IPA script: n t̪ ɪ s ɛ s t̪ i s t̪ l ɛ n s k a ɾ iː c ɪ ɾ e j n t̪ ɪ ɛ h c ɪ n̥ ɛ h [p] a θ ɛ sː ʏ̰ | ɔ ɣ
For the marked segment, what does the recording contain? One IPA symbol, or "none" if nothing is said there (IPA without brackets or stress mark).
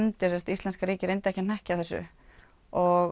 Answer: c